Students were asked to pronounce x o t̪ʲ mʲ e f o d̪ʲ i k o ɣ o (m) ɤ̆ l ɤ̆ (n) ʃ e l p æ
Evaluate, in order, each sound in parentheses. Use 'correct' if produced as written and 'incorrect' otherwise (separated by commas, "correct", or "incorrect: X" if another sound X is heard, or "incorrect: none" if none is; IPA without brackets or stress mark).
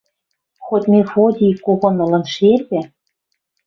incorrect: n, correct